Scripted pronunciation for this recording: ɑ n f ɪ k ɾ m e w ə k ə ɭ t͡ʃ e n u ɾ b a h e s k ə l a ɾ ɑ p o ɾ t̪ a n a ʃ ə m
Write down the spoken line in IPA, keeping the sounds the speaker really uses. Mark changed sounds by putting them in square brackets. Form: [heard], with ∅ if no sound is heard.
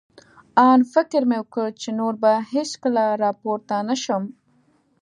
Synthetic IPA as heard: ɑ n f ɪ k ɾ m e w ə k ə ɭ t͡ʃ e n [o] ɾ b a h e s k ə l a ɾ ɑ p o ɾ t̪ a n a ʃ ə m